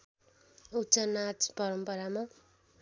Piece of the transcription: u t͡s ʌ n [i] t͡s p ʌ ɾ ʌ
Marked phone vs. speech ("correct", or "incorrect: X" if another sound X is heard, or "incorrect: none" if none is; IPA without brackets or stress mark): incorrect: a